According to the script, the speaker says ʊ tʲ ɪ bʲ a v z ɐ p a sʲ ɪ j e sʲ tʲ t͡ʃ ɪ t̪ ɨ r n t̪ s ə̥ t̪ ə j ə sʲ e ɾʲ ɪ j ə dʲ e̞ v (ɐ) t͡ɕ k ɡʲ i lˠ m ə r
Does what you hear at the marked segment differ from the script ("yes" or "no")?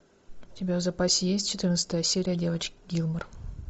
yes